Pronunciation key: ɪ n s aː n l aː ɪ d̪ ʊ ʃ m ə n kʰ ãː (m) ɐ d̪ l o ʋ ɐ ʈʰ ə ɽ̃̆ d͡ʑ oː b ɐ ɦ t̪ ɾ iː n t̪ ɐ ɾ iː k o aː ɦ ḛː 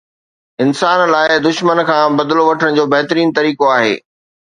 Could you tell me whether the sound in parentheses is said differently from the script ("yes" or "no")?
yes